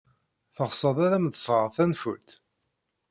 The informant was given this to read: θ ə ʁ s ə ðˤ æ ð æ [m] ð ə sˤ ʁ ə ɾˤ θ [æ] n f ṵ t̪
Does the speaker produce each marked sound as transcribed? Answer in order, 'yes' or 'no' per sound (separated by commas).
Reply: yes, yes